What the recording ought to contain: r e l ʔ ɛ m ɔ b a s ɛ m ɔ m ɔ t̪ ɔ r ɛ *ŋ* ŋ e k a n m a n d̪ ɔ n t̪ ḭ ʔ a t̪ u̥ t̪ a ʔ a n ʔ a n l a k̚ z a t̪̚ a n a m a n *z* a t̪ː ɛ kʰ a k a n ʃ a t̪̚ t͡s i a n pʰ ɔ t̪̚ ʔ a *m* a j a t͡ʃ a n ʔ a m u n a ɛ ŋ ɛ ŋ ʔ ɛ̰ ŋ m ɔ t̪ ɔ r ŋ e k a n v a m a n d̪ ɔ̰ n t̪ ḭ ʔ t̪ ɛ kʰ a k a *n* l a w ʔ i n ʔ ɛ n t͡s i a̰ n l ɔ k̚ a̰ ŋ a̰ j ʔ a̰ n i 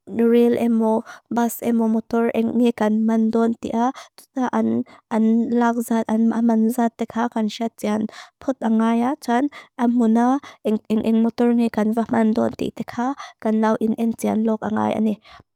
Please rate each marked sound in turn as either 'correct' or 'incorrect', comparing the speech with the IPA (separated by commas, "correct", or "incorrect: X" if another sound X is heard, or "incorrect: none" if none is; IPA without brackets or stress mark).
correct, correct, incorrect: ŋ, correct